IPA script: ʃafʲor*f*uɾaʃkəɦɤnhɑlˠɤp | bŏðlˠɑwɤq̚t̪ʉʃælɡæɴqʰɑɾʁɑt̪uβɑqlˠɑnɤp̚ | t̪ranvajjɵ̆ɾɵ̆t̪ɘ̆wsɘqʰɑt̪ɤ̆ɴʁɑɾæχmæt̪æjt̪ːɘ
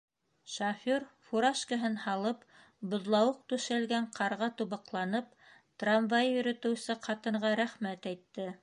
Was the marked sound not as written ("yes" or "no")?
no